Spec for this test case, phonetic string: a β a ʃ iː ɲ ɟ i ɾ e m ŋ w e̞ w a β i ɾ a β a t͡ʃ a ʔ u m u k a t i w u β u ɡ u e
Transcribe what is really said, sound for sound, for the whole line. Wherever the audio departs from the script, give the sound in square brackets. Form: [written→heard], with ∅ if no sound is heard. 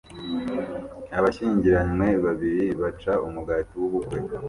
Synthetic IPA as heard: a β a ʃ iː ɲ ɟ i ɾ [e→a] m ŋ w e̞ [w→β] a β i ɾ [a→i] β a t͡ʃ a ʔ u m u [k→ɡ] a t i w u β u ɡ [u→w] e

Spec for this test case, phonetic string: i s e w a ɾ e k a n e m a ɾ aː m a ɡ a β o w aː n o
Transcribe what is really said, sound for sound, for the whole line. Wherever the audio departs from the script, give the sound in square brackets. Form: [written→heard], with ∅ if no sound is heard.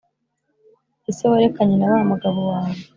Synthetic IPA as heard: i s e w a ɾ e k a [n→ɲ] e [m→n] a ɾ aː m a ɡ a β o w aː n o

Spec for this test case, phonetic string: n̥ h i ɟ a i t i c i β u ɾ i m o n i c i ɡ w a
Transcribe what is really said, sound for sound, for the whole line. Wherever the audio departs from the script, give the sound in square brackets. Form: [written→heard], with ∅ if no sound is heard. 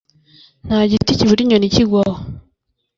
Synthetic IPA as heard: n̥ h [i→a] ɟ [a→i] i t i c i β u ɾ i [m→ɲ] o n i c i ɡ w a

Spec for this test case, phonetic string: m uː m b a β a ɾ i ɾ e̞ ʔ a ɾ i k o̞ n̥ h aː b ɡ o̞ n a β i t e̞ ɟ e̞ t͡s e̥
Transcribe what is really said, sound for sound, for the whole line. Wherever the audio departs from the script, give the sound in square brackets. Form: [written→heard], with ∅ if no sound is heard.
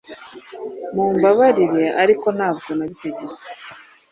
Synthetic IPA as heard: m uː m b a β a ɾ i ɾ e̞ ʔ a ɾ i k o̞ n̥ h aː b ɡ o̞ n a β i t e̞ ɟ e̞ t͡s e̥

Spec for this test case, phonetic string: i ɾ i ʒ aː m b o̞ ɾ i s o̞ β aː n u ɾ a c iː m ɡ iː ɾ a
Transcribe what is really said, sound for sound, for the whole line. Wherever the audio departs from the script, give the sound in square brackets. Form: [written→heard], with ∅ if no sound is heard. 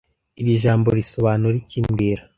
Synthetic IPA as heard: i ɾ i ʒ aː m b o̞ ɾ i s o̞ β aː n u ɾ [a→i] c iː m ɡ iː ɾ a

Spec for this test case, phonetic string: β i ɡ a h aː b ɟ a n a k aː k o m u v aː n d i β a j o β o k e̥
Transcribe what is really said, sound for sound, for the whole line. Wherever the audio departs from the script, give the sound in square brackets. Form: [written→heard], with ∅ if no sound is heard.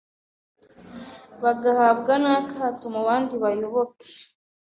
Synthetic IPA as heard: β [i→a] ɡ a h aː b [ɟ→ɡ] a n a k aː [k→t] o m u [v→β] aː n d i β a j o β o k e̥

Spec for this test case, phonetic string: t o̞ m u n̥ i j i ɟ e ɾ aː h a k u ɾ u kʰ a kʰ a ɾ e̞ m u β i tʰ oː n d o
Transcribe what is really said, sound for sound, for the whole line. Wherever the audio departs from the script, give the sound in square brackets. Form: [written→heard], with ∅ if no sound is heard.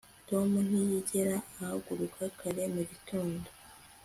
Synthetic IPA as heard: t o̞ m u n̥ i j i ɟ e ɾ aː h a [k→ɡ] u ɾ u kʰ a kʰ a ɾ e̞ m u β i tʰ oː n d o

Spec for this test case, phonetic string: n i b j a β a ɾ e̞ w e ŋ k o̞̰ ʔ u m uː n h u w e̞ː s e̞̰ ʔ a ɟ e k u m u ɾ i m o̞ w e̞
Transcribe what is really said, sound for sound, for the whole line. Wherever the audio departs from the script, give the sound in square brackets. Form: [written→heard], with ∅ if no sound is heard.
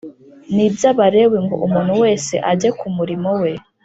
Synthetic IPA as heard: n i b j a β a ɾ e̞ w e ŋ [k→ɡ] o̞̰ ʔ u m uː n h u w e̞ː s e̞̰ ʔ a ɟ e k u m u ɾ i m o̞ w e̞

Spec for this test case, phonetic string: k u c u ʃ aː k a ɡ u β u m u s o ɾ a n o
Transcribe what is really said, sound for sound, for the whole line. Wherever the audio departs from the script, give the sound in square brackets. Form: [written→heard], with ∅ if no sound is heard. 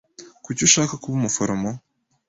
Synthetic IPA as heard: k u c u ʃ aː k a [ɡ→k] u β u m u [s→f] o ɾ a [n→m] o

